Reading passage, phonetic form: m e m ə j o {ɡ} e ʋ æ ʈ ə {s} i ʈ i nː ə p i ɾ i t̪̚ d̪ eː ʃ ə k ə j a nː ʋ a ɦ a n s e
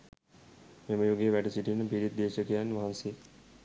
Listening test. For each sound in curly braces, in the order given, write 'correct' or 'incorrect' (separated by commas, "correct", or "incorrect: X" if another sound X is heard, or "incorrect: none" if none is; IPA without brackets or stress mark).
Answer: correct, correct